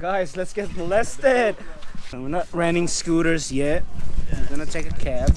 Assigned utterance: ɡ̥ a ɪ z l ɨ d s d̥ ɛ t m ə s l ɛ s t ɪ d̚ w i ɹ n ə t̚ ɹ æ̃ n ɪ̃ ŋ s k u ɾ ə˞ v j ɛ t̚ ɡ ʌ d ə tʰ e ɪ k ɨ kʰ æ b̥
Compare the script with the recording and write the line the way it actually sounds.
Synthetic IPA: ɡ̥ a ɪ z l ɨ t s ɡ̥ ɛ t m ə l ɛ s t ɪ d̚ w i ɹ n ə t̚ ɹ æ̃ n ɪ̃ ŋ s k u ɾ ə˞ z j ɛ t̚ ɡ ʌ n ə tʰ e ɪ k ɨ kʰ æ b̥